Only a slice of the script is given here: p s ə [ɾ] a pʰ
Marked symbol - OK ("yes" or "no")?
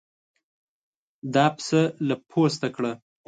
no